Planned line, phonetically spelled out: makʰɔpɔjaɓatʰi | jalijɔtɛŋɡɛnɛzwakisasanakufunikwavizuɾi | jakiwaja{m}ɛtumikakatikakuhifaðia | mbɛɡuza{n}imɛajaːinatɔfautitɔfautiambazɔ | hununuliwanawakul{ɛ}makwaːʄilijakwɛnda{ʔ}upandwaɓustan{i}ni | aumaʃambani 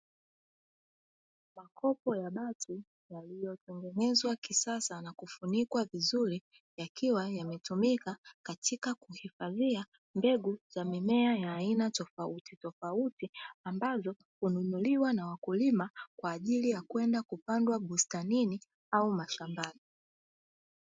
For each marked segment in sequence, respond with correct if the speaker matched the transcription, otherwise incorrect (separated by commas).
correct, incorrect, incorrect, incorrect, correct